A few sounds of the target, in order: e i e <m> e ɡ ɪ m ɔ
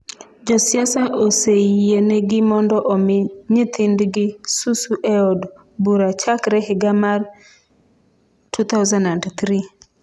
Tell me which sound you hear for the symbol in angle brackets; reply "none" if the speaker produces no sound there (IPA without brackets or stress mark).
n